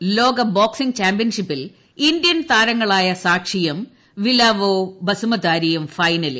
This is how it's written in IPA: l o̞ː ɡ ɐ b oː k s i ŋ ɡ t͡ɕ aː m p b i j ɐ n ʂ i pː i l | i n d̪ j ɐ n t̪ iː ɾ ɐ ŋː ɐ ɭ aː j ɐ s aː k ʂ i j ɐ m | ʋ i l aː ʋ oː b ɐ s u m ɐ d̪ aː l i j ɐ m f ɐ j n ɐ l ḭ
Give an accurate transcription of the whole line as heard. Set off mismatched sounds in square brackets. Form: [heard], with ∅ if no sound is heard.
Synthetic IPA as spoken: l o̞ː ɡ ɐ b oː k s i ŋ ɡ t͡ɕ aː m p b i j ɐ n ʂ i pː i l | i n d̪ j ɐ n t̪ [aː] ɾ ɐ ŋː ɐ ɭ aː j ɐ s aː k ʂ i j ɐ m | ʋ i l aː ʋ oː b ɐ s u m ɐ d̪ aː [ɾ] i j ɐ m f ɐ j n ɐ l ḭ